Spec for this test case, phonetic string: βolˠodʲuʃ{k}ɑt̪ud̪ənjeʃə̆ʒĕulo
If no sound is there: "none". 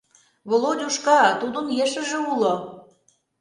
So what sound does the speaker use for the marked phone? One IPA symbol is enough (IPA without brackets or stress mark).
k